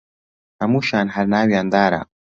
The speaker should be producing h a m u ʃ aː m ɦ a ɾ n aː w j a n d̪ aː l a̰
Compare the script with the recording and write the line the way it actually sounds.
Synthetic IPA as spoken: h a m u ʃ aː n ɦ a ɾ n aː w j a n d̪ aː ɾ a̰